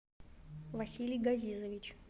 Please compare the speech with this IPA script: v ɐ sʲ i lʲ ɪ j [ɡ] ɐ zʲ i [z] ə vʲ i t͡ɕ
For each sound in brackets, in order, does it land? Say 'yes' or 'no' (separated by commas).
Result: yes, yes